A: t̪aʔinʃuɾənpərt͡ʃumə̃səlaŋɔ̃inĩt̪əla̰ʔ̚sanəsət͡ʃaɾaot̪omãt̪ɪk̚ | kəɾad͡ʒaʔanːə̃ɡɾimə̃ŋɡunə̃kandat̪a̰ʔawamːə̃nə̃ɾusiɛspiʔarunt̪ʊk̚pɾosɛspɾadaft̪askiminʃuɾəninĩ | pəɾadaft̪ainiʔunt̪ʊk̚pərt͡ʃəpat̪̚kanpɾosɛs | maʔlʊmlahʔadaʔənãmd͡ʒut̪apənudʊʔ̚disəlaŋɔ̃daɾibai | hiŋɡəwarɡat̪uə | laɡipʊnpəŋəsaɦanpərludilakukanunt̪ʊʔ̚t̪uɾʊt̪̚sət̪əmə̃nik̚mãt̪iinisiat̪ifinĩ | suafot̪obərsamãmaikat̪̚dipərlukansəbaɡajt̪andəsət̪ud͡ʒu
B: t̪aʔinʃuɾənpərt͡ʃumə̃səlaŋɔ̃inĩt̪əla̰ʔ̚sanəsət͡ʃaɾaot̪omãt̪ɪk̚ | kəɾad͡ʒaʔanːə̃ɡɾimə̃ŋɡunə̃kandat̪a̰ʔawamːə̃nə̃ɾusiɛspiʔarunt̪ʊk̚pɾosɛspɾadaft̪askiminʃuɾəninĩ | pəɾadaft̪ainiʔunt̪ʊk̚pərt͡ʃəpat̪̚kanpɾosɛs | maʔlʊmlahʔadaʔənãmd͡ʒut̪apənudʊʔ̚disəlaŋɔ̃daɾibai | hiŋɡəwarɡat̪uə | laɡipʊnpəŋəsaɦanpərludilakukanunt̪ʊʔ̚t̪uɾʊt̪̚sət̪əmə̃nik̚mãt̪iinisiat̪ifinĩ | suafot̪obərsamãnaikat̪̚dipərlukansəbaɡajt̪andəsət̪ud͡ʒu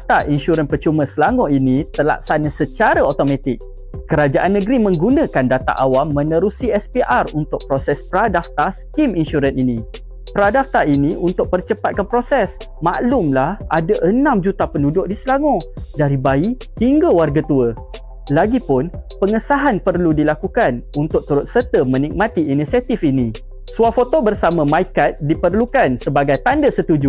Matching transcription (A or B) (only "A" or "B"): A